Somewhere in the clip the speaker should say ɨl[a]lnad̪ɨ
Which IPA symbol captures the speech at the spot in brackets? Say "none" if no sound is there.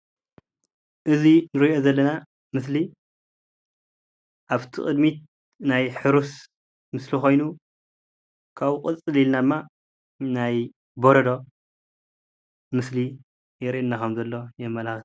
i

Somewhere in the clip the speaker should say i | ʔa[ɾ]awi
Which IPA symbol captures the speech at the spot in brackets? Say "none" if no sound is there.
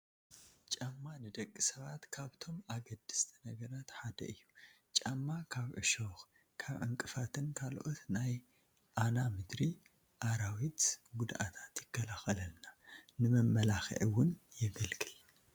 ɾ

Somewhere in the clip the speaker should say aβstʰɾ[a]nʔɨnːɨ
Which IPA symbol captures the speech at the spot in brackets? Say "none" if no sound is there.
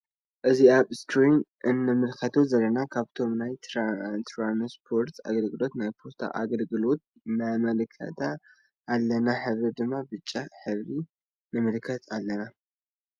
i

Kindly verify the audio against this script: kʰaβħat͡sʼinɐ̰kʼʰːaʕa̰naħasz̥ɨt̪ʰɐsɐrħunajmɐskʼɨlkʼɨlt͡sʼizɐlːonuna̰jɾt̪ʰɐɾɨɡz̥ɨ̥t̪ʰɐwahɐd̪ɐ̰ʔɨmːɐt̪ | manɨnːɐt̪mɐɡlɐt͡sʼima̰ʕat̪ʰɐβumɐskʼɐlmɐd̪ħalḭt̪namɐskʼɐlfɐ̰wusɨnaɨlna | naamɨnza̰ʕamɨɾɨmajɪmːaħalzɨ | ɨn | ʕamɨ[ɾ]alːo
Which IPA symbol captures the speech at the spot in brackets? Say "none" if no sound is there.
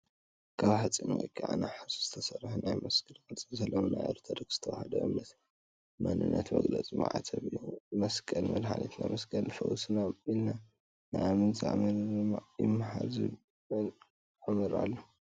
ɾ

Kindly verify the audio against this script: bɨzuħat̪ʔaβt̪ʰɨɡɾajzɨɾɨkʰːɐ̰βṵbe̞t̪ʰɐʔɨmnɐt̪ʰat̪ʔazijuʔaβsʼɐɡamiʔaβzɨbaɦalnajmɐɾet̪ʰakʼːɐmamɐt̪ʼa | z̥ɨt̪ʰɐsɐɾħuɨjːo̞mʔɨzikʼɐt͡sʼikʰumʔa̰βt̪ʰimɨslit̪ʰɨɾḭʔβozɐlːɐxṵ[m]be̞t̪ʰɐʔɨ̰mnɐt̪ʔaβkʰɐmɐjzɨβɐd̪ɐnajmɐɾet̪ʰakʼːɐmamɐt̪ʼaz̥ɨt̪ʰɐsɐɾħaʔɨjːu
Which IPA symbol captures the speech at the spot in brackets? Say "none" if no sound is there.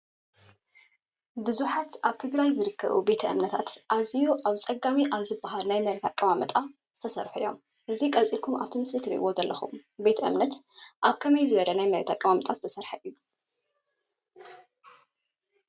m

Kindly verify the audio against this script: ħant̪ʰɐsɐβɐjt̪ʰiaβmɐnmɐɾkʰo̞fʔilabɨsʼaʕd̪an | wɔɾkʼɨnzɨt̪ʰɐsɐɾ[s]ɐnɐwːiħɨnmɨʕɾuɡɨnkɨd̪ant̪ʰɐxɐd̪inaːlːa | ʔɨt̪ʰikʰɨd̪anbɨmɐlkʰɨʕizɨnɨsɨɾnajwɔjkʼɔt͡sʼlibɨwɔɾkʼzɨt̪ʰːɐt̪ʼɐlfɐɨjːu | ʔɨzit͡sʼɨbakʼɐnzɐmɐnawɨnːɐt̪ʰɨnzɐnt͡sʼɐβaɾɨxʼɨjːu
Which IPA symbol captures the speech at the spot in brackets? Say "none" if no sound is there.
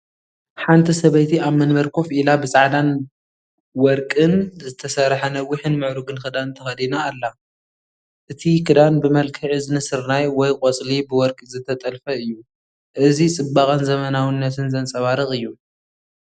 ħ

